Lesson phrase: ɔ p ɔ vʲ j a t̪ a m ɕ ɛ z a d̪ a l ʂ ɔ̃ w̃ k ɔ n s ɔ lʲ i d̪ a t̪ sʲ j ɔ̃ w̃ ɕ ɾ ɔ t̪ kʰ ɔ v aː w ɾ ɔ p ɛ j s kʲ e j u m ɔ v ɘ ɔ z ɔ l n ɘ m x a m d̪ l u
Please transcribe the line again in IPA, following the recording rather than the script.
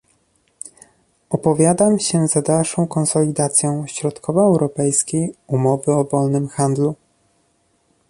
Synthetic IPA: ɔ p ɔ vʲ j a d̪ a m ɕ ɛ z a d̪ a l ʂ ɔ̃ w̃ k ɔ n s ɔ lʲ i d̪ a t̪ sʲ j ɔ̃ w̃ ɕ ɾ ɔ t̪ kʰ ɔ v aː w ɾ ɔ p ɛ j s kʲ e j u m ɔ v ɘ ɔ v ɔ l n ɘ m x a n d̪ l u